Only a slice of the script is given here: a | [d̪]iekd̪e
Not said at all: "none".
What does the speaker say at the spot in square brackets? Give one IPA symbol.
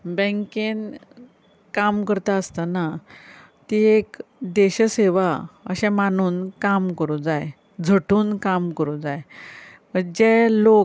t̪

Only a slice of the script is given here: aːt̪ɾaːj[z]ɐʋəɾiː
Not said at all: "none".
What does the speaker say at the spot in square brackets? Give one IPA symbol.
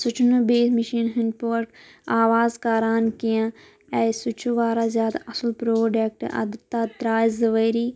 z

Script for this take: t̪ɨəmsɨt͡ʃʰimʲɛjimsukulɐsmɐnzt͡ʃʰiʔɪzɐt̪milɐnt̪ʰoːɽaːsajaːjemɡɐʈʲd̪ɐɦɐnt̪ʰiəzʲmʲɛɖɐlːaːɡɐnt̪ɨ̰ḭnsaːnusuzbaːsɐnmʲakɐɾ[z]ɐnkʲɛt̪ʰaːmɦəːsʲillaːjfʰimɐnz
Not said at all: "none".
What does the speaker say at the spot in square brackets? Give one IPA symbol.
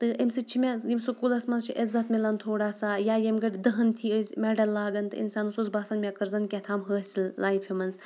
z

